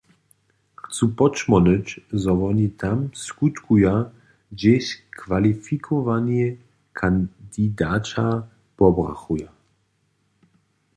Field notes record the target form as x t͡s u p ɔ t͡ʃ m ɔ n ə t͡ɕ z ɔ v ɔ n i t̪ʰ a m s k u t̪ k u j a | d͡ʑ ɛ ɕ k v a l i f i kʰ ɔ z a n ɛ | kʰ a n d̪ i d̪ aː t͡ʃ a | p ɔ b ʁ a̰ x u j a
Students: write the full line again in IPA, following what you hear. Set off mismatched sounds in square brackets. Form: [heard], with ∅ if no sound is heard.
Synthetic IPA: x t͡s u p ɔ t͡ʃ m ɔ n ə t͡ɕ z ɔ v ɔ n i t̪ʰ a m s k u t̪ k u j a | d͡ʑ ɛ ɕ k v a l i f i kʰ ɔ [v] a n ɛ | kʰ a n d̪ i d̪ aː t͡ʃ a | p ɔ b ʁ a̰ x u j a